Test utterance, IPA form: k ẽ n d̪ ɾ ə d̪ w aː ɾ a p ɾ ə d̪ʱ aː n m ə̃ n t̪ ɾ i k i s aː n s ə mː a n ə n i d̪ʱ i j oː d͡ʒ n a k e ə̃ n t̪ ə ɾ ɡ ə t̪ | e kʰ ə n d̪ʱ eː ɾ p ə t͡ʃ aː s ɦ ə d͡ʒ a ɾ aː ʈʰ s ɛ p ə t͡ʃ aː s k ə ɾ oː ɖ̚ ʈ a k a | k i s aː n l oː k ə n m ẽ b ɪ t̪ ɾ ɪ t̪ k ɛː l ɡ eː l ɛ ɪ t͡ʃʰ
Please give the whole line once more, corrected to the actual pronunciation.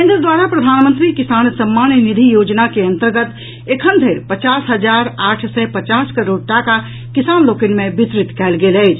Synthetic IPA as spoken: k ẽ n d̪ ɾ ə d̪ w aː ɾ a p ɾ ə d̪ʱ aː n m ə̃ n t̪ ɾ i k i s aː n s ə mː a n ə n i d̪ʱ i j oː d͡ʒ n a k e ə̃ n t̪ ə ɾ ɡ ə t̪ | e kʰ ə n d̪ʱ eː ɾ p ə t͡ʃ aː s ɦ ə d͡ʒ a ɾ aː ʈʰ s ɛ p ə t͡ʃ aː s k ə ɾ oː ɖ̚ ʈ a k a | k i s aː n l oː k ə n m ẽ b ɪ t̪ ɾ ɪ t̪ k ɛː l ɡ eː l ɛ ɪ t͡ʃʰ